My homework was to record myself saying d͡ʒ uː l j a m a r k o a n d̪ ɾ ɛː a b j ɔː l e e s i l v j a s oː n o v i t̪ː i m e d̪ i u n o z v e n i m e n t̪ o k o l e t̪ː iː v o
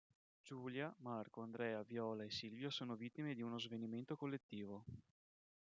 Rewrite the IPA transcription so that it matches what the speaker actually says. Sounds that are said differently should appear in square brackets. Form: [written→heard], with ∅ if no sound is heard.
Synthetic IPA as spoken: d͡ʒ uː l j a m a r k o a n d̪ ɾ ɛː a [b→v] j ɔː l [e→a] e s i l v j a s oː n o v i t̪ː i m e d̪ i u n o z v e n i m e n t̪ o k o [l→lː] e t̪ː iː v o